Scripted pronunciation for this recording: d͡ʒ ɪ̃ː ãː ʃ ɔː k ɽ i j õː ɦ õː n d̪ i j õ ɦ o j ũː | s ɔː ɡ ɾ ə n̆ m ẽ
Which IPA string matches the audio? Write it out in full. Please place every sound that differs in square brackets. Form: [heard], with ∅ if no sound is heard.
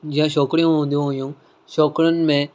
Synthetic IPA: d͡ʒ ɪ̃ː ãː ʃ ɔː k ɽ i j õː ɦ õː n d̪ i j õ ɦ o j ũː | [ʃ] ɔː [k] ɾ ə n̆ m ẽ